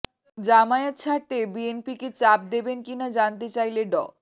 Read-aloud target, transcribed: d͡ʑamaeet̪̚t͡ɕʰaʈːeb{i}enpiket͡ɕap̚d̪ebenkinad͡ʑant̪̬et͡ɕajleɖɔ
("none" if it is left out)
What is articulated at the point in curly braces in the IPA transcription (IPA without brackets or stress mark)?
i